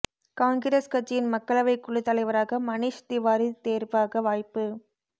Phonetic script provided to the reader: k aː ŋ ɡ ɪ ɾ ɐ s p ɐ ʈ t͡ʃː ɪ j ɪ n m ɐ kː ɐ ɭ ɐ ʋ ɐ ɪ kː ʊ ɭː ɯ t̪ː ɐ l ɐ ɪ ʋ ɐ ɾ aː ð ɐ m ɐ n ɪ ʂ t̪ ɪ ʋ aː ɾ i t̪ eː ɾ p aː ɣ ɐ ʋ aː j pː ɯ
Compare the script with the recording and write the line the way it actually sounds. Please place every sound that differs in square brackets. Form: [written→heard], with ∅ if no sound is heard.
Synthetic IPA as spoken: k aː ŋ ɡ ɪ ɾ ɐ s [p→k] ɐ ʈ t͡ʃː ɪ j ɪ n m ɐ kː ɐ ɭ ɐ ʋ ɐ ɪ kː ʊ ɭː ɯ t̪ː ɐ l ɐ ɪ ʋ ɐ ɾ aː [ð→ɣ] ɐ m ɐ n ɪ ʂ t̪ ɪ ʋ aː ɾ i t̪ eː ɾ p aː ɣ ɐ ʋ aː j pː ɯ